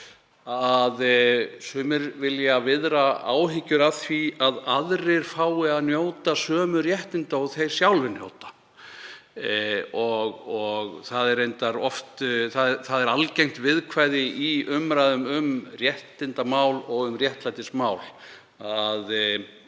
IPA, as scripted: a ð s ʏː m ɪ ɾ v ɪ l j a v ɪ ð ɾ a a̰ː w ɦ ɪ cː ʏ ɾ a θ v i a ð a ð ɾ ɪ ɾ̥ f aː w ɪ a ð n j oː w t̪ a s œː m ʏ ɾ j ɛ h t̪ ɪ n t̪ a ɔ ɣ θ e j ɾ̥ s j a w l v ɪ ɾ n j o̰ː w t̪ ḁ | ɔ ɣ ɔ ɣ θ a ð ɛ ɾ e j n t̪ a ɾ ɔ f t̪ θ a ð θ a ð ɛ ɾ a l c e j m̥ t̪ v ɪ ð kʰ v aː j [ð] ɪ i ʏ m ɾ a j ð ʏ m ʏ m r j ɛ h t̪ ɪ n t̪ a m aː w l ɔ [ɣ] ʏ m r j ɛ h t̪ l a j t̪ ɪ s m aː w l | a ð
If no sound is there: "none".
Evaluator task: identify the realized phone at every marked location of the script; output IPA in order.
ð, ɣ

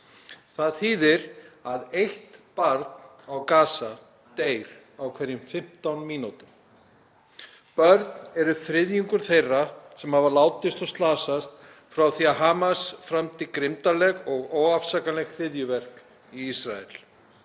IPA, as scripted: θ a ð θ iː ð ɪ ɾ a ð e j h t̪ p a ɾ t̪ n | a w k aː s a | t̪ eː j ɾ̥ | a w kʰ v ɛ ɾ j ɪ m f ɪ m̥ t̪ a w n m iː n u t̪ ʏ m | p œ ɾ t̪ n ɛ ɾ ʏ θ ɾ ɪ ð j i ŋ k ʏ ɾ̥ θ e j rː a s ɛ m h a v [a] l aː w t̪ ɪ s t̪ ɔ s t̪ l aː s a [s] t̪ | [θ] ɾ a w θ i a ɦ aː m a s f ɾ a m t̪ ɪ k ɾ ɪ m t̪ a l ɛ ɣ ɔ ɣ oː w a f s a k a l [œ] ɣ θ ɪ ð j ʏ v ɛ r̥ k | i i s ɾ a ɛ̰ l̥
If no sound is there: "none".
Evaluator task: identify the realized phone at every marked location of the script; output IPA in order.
a, s, f, ɛ

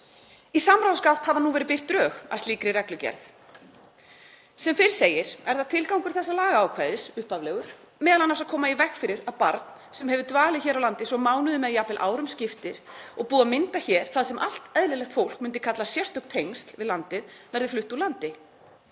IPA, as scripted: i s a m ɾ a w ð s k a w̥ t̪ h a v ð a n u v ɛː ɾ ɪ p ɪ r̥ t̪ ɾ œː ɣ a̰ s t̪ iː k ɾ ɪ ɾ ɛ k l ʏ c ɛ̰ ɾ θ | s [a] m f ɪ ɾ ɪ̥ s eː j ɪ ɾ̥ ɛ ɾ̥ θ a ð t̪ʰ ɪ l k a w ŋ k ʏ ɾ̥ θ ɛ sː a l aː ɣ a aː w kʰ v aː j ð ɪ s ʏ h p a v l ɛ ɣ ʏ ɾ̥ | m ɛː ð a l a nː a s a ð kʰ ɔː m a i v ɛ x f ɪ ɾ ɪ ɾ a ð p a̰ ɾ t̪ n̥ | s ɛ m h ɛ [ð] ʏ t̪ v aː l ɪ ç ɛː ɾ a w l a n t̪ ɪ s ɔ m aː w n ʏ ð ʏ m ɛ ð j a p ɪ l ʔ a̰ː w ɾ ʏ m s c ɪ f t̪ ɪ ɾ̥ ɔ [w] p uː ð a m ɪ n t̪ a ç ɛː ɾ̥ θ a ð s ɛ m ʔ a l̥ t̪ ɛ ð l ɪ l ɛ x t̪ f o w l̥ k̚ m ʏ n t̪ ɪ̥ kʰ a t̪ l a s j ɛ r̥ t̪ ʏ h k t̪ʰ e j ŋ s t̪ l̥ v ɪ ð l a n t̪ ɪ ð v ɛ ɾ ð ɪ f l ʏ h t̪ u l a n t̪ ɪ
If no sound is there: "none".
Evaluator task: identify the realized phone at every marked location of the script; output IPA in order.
ɛ, v, ɣ

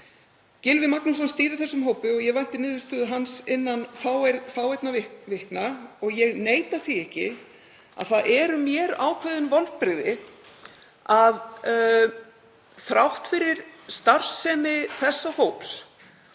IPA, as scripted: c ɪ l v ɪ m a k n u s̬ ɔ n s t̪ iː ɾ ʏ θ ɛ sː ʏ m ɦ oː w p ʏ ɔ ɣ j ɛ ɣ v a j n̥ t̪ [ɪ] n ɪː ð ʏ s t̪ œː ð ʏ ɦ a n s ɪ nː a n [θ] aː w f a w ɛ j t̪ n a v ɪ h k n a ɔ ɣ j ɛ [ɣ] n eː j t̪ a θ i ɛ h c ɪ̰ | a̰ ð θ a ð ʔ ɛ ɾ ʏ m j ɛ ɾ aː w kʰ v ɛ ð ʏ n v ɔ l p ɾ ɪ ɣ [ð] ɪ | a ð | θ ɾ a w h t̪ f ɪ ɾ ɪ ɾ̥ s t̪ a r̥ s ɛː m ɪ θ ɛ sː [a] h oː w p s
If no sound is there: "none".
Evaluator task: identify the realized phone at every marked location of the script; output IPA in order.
ɪ, f, ɣ, ð, a

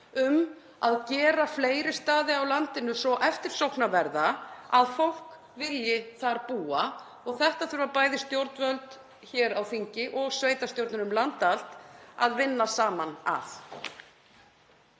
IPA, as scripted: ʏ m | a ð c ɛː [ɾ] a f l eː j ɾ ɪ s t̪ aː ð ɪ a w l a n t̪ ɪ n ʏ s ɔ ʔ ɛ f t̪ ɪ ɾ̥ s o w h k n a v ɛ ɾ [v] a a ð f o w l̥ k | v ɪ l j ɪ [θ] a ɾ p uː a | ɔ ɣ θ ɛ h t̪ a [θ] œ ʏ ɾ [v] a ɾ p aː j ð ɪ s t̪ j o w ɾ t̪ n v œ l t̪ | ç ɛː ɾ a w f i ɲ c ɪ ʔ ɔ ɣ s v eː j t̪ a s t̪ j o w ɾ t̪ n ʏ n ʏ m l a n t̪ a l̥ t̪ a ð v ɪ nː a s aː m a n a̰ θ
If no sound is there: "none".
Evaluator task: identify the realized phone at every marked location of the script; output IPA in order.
ɾ, ð, θ, θ, v

